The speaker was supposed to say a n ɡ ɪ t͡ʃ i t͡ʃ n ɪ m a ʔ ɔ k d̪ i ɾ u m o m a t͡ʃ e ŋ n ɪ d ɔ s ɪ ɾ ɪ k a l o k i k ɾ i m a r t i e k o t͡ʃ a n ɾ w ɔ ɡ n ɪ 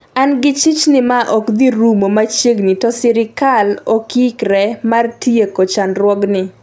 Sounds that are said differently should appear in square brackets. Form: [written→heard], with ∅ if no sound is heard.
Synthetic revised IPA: a n ɡ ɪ t͡ʃ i t͡ʃ n ɪ m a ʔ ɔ k d̪ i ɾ u m o m a t͡ʃ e [ŋ→ɡ] n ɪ [d→t] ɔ s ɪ ɾ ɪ k a l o k i k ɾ [i→ɛ] m a r t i e k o t͡ʃ a n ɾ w ɔ ɡ n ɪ